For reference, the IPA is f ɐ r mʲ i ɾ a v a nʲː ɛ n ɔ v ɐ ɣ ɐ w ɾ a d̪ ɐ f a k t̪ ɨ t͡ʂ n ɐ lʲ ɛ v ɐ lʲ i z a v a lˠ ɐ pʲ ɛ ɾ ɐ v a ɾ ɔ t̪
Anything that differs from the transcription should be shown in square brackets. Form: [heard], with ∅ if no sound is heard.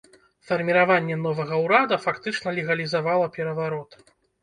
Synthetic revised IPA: f ɐ r mʲ i ɾ a v a nʲː ɛ n ɔ v ɐ ɣ ɐ w ɾ a d̪ ɐ f a k t̪ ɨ t͡ʂ n ɐ lʲ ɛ [ɣ] ɐ lʲ i z a v a lˠ ɐ pʲ ɛ ɾ ɐ v a ɾ ɔ t̪